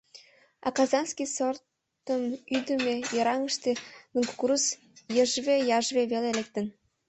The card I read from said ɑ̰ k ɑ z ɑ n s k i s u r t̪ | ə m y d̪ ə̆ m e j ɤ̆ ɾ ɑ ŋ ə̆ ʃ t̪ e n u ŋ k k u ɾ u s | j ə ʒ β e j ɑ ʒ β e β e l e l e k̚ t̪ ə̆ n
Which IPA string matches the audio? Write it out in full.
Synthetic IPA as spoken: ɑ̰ k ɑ z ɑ n s k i s o r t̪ | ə m y d̪ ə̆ m e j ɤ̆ ɾ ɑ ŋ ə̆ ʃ t̪ e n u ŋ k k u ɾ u s | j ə ʒ β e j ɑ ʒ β e β e l e l e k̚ t̪ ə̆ n